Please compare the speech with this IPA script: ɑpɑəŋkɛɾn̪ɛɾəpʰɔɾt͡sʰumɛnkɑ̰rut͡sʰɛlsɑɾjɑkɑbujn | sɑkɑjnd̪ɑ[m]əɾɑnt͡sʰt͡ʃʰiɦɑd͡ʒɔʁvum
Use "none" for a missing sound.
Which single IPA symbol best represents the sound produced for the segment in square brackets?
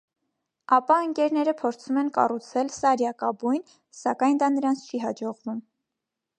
n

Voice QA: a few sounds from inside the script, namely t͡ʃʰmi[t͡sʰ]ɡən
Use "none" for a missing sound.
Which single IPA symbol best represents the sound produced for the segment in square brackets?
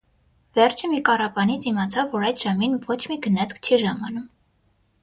none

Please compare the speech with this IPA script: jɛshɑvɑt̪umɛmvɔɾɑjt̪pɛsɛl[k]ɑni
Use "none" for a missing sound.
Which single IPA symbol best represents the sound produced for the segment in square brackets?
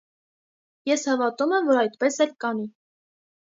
k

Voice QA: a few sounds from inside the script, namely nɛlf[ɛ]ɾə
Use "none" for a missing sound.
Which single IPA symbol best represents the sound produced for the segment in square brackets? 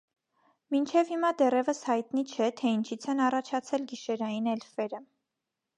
ɛ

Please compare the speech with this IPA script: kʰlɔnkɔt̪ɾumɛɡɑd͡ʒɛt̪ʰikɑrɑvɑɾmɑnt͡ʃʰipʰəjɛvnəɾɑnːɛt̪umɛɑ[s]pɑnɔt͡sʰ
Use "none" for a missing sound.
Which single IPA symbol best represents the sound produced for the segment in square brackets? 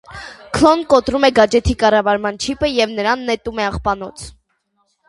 χ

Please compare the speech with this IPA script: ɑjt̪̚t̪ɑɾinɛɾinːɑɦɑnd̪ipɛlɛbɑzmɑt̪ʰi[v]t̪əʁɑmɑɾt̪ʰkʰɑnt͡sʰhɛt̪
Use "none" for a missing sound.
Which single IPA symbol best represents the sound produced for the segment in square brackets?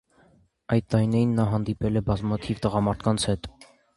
v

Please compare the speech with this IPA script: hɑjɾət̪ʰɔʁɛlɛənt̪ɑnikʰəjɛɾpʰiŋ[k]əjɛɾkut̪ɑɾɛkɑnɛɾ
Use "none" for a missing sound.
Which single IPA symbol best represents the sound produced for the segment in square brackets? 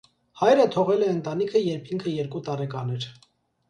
kʰ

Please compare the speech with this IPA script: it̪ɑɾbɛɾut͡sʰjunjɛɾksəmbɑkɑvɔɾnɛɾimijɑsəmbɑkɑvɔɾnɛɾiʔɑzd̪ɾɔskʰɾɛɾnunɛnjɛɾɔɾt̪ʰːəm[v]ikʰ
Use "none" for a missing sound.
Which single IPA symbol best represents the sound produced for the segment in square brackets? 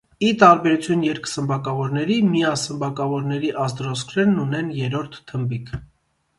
b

